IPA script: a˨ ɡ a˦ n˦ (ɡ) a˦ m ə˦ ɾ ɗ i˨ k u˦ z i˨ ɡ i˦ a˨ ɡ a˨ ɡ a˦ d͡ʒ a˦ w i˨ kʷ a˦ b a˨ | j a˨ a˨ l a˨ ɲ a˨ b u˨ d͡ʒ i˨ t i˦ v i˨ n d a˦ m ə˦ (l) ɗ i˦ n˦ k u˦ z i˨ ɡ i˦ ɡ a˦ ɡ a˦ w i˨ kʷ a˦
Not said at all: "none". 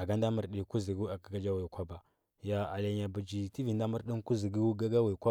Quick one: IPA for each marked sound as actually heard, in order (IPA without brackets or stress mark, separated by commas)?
d, ɾ